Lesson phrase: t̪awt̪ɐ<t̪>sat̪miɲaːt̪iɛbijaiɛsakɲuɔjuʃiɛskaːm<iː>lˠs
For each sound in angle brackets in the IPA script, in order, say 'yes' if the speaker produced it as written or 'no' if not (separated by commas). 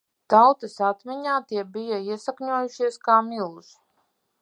no, no